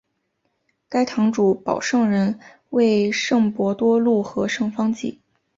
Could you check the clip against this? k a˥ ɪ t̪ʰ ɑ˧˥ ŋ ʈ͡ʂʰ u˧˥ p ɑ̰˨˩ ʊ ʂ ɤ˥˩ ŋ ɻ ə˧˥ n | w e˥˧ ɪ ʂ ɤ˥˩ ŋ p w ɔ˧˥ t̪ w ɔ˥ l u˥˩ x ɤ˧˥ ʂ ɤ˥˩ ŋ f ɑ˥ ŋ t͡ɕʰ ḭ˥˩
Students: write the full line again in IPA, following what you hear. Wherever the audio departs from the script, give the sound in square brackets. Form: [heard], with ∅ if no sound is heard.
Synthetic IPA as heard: k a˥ ɪ t̪ʰ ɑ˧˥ ŋ [ʈ͡ʂ] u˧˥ p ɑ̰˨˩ ʊ ʂ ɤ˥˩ ŋ ɻ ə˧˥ n | w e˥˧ ɪ ʂ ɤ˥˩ ŋ p w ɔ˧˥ t̪ w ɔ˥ l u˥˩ x ɤ˧˥ ʂ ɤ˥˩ ŋ f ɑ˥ ŋ [t͡ɕ] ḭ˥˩

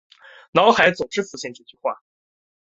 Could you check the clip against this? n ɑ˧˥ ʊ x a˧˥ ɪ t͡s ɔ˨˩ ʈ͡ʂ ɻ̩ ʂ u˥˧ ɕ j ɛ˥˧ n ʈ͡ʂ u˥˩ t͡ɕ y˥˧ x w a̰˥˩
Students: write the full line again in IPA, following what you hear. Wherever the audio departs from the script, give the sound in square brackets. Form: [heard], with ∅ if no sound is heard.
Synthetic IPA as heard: n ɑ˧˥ ʊ x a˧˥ ɪ t͡s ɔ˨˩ ʈ͡ʂ ɻ̩ [f] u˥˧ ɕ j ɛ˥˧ n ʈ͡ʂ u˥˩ t͡ɕ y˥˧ x w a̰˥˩

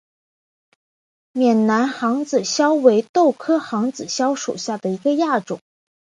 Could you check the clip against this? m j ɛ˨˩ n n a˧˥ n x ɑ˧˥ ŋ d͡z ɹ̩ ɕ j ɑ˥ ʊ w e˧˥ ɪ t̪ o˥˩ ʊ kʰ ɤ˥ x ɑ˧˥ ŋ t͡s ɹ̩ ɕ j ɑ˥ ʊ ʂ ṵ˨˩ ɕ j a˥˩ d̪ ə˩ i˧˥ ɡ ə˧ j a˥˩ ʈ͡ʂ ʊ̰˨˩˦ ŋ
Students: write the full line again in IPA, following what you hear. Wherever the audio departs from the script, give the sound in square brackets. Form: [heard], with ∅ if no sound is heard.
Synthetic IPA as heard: m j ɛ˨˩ n n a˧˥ n x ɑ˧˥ ŋ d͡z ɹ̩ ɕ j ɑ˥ ʊ w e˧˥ ɪ t̪ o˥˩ ʊ kʰ ɤ˥ x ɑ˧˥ ŋ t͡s ɹ̩ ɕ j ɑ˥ ʊ ʂ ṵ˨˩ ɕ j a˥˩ d̪ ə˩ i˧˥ ɡ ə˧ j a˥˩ ʈ͡ʂ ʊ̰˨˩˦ ŋ

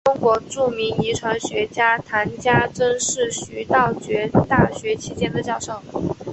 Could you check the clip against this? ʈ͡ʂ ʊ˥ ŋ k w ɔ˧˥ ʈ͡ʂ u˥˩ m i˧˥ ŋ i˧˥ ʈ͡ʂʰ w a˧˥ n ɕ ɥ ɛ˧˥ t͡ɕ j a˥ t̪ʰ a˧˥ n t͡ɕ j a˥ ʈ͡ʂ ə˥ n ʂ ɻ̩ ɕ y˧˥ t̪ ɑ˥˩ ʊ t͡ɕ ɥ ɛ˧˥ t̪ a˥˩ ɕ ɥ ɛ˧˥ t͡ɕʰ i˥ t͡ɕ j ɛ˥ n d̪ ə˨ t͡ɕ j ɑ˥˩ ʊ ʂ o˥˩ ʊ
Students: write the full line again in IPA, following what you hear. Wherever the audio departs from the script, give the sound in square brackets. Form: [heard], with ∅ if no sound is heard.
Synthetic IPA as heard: ʈ͡ʂ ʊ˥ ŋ k w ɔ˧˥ ʈ͡ʂ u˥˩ m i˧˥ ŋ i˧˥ ʈ͡ʂʰ w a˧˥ n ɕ ɥ ɛ˧˥ t͡ɕ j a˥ t̪ʰ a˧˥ n t͡ɕ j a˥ ʈ͡ʂ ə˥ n ʂ ɻ̩ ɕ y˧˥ t̪ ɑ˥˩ ʊ t͡ɕ ɥ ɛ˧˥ t̪ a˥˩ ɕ ɥ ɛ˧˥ t͡ɕʰ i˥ t͡ɕ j ɛ˥ n d̪ ə˨ t͡ɕ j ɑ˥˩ ʊ ʂ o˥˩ ʊ

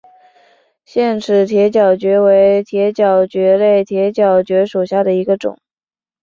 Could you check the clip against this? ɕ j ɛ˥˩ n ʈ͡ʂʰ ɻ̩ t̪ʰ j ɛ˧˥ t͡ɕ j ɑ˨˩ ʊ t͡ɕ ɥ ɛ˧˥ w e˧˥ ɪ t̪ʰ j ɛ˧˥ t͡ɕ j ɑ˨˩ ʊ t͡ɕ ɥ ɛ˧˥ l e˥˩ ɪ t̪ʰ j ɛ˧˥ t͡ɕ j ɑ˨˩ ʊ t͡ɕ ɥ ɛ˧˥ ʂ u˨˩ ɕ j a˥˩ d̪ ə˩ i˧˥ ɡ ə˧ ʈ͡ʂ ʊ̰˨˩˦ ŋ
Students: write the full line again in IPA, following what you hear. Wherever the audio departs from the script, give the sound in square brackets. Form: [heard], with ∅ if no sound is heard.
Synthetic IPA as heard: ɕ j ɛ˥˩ n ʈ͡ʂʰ ɻ̩ t̪ʰ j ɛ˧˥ t͡ɕ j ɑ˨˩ ʊ t͡ɕ ɥ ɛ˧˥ w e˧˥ ɪ t̪ʰ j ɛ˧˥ t͡ɕ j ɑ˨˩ ʊ t͡ɕ ɥ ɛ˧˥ l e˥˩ ɪ t̪ʰ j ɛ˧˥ t͡ɕ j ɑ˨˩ ʊ t͡ɕ ɥ ɛ˧˥ ʂ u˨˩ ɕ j a˥˩ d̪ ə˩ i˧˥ ɡ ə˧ ʈ͡ʂ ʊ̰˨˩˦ ŋ

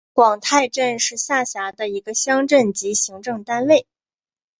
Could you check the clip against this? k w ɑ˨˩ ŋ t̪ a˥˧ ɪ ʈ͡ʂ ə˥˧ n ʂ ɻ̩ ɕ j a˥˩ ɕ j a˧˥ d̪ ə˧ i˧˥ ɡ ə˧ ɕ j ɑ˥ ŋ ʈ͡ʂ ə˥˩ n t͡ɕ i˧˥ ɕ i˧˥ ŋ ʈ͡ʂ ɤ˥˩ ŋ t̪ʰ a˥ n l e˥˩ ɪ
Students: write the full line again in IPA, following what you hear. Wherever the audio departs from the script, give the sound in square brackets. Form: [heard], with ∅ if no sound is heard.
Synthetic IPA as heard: k w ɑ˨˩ ŋ [t̪ʰ] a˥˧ ɪ ʈ͡ʂ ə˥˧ n ʂ ɻ̩ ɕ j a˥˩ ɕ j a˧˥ d̪ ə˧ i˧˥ ɡ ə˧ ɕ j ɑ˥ ŋ ʈ͡ʂ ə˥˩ n t͡ɕ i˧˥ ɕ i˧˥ ŋ ʈ͡ʂ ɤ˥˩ ŋ [t̪] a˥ n l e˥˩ ɪ

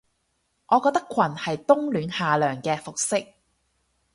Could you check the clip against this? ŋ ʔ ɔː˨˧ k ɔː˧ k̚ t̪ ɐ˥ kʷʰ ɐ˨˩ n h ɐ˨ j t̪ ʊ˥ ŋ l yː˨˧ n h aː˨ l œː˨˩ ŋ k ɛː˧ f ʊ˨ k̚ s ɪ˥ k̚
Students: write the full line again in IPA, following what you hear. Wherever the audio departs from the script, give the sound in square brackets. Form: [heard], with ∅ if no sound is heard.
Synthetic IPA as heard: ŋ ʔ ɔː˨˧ k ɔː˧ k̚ t̪ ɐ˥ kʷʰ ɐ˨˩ n h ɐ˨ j t̪ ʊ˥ ŋ l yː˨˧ n h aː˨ l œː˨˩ ŋ k ɛː˧ f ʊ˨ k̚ s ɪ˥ k̚

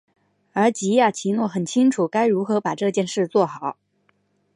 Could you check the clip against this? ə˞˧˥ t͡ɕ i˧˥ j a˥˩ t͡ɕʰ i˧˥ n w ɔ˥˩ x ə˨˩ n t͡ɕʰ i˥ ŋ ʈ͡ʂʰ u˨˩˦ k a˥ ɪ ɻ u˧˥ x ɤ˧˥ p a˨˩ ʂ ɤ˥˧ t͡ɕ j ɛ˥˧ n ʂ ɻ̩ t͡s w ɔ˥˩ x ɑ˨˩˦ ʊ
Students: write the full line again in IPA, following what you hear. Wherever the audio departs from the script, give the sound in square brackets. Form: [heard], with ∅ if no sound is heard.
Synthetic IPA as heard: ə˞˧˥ t͡ɕ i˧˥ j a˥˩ t͡ɕʰ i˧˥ n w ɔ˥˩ x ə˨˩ n t͡ɕʰ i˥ ŋ ʈ͡ʂʰ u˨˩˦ k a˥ ɪ ɻ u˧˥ x ɤ˧˥ p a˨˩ [ʈ͡ʂ] ɤ˥˧ t͡ɕ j ɛ˥˧ n ʂ ɻ̩ t͡s w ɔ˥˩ x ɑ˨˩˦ ʊ

